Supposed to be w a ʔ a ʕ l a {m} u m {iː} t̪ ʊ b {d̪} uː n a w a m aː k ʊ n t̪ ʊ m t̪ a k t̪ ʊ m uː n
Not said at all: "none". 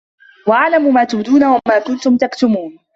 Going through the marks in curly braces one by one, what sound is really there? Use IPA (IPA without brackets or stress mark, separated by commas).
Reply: m, aː, d̪